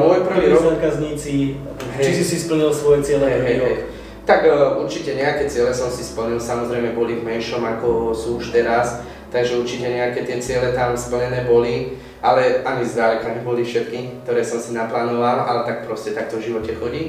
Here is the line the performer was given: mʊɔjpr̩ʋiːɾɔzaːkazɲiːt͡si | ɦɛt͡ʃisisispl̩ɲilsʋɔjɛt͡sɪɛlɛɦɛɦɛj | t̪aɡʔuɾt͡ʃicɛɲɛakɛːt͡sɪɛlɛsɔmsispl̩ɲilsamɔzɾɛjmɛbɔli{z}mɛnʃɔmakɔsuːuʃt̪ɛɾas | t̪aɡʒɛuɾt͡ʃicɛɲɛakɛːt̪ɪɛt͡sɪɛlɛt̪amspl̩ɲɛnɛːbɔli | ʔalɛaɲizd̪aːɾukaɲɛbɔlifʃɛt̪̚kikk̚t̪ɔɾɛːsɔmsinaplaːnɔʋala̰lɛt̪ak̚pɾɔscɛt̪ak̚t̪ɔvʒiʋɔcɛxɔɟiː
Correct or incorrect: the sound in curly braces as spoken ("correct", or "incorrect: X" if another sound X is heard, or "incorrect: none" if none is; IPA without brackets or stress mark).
incorrect: v